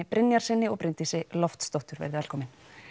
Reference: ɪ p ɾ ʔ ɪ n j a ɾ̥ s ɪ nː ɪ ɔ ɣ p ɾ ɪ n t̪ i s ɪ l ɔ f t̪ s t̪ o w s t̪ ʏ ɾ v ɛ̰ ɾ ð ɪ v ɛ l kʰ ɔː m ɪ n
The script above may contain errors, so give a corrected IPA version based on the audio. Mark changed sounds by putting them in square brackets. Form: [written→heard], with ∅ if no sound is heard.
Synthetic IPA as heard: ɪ p ɾ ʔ ɪ n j a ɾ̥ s ɪ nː ɪ ɔ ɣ p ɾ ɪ n t̪ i s ɪ l ɔ f t̪ s t̪ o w [s→h] t̪ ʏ ɾ v ɛ̰ ɾ ð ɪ v ɛ l kʰ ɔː m ɪ n